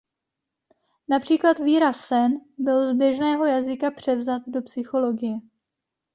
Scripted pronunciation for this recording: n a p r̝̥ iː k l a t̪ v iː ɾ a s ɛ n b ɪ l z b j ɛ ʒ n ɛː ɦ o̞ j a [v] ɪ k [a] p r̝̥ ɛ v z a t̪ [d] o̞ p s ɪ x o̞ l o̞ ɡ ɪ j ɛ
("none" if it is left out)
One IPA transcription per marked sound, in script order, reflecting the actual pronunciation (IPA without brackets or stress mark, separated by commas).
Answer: z, a, d